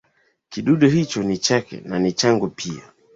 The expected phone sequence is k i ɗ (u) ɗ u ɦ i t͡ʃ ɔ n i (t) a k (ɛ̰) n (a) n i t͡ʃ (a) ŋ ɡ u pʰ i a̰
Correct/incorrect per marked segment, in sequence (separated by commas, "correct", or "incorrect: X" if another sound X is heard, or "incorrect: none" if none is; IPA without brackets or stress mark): correct, incorrect: t͡ʃ, correct, correct, correct